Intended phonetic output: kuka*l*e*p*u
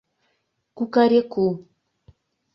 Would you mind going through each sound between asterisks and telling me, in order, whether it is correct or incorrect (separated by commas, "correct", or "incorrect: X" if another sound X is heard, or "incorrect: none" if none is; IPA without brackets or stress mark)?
incorrect: ɾ, incorrect: k